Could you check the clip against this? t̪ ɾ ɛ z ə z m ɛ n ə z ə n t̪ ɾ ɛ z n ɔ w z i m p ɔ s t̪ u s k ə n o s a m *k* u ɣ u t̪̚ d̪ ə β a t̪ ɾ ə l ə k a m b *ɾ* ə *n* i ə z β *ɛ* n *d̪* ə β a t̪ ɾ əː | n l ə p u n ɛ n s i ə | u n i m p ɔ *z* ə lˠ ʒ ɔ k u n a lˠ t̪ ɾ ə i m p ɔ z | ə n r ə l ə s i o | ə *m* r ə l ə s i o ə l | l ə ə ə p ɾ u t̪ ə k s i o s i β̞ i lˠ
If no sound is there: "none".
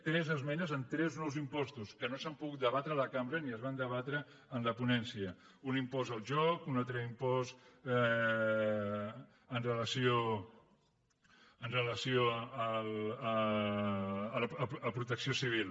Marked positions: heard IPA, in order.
p, ɾ, n, a, d̪, z, n

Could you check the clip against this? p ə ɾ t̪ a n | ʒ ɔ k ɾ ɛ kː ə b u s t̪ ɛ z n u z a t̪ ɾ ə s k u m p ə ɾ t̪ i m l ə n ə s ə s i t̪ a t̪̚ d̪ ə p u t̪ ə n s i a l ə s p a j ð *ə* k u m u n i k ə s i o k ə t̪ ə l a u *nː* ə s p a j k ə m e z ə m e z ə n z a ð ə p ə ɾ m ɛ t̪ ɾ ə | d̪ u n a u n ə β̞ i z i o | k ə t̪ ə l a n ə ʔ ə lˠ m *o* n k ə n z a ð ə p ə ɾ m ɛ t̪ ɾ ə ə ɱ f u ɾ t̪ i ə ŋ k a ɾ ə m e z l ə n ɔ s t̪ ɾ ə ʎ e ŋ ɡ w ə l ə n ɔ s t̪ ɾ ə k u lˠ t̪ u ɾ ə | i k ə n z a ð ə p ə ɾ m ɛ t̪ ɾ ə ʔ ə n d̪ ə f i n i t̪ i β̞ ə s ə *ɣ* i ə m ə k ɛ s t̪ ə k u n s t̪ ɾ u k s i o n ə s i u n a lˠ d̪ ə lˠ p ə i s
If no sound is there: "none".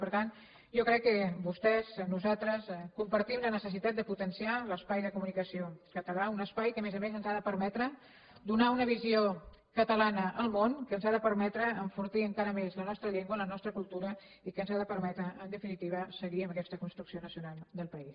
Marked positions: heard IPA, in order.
ə, n, o, ɣ

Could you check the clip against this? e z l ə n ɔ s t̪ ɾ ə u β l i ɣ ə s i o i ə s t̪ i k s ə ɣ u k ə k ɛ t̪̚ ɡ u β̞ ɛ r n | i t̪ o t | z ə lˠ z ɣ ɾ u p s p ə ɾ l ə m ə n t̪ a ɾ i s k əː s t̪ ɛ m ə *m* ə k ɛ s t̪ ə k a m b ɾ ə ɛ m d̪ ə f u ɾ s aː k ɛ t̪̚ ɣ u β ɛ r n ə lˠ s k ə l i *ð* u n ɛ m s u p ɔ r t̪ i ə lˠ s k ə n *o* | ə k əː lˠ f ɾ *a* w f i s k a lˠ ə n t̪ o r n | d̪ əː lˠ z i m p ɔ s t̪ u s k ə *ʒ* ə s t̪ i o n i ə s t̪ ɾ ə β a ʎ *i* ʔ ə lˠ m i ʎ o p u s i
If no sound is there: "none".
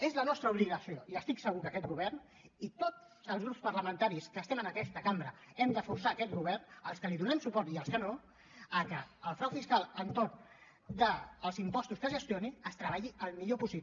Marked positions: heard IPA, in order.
n, ð, o, a, ʒ, i

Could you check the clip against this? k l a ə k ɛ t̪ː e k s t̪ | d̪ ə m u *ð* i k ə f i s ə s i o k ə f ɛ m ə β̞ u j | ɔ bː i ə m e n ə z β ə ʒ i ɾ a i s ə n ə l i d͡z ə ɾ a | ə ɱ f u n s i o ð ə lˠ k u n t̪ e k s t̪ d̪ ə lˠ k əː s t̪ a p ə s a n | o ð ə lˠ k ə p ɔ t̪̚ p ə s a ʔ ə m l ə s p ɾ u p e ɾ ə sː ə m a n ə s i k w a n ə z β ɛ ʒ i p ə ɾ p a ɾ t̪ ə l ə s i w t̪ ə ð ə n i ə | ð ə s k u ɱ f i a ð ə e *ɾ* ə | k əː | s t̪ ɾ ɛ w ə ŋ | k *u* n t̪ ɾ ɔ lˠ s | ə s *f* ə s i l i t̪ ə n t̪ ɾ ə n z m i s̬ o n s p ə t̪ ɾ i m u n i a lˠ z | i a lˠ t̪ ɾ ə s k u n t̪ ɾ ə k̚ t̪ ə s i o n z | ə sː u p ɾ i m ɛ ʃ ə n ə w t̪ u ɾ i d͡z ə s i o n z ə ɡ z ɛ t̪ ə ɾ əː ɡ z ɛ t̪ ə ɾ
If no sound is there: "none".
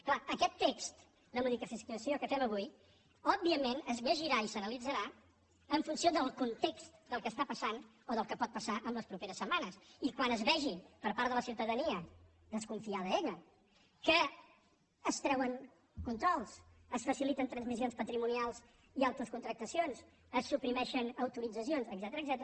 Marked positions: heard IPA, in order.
ð, ʎ, u, f

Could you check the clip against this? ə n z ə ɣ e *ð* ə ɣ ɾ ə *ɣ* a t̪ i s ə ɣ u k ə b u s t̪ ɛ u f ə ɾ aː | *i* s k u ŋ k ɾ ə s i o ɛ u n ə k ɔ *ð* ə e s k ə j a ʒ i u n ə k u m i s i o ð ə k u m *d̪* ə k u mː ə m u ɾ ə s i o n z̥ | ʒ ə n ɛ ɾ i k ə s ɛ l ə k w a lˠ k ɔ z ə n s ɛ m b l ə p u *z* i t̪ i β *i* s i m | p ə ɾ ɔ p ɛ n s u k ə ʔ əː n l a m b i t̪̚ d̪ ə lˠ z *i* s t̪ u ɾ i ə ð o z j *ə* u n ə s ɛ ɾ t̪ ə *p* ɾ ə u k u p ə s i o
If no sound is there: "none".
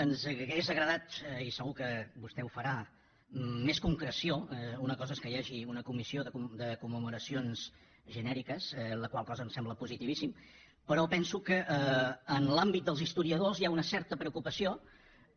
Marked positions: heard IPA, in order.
z, ð, e, z, d̪, z, i, i, a, p

